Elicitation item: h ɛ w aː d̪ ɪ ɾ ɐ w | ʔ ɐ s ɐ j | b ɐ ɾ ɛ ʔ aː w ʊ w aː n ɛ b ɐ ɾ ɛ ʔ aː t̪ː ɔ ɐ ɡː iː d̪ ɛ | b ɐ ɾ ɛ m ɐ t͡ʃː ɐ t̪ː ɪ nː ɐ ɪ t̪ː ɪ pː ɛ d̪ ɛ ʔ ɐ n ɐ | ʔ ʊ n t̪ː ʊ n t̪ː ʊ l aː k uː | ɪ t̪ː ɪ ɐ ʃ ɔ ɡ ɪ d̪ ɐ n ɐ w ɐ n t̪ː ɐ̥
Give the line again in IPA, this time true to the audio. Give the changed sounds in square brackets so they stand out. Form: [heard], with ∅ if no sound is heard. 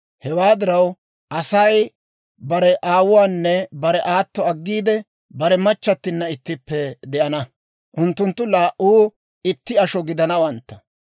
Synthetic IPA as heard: h ɛ w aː d̪ ɪ ɾ ɐ w | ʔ ɐ s ɐ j | b ɐ ɾ ɛ ʔ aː w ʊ w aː [nː] ɛ b ɐ ɾ ɛ ʔ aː t̪ː ɔ ɐ ɡː iː d̪ ɛ | b ɐ ɾ ɛ m ɐ t͡ʃː ɐ t̪ː ɪ nː ɐ ɪ t̪ː ɪ pː ɛ d̪ ɛ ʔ ɐ n ɐ | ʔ ʊ n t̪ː ʊ n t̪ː ʊ l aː [ʔ] uː | ɪ t̪ː ɪ ɐ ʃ ɔ ɡ ɪ d̪ ɐ n ɐ w ɐ n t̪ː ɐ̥